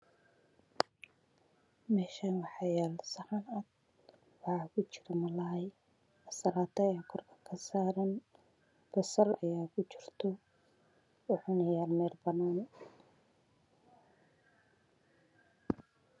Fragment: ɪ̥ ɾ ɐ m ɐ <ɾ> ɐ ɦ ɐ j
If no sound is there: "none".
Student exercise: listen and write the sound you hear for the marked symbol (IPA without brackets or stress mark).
l